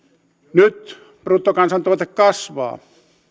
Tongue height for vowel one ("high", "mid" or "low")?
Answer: high